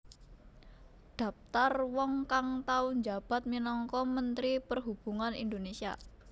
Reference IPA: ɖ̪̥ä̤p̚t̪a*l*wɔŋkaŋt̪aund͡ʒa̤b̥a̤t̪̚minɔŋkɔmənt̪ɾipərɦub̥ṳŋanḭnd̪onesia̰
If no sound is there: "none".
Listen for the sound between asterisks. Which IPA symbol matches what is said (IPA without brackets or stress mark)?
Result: r